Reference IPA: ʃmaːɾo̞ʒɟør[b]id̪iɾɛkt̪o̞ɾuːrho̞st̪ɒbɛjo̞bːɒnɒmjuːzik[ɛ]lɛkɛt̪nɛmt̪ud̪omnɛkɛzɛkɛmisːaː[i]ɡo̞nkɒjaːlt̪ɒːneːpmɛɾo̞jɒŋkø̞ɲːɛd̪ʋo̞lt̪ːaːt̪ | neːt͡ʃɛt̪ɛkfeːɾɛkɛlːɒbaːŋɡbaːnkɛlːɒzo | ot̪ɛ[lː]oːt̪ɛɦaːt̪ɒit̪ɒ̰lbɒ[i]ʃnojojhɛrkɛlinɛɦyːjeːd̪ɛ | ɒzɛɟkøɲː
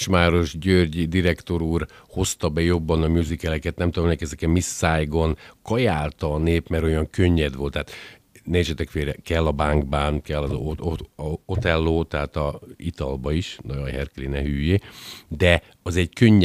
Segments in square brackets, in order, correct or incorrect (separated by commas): incorrect, correct, incorrect, correct, correct